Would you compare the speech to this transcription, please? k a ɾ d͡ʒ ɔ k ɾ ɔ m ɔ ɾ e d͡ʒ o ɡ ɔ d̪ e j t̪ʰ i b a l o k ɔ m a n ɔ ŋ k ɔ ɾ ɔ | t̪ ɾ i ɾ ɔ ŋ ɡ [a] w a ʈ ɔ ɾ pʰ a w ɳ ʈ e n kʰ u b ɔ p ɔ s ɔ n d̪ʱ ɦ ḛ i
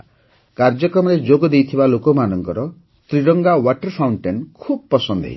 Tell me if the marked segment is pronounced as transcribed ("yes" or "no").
yes